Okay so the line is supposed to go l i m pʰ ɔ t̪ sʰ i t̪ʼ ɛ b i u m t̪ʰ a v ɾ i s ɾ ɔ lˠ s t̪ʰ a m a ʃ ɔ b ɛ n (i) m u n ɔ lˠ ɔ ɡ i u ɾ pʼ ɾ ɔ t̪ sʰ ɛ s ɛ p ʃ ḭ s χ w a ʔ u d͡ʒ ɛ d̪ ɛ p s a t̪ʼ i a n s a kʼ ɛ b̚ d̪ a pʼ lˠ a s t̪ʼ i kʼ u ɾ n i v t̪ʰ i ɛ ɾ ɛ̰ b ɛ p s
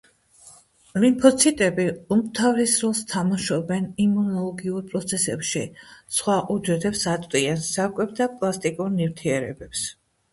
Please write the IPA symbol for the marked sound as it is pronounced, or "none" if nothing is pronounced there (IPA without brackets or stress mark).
i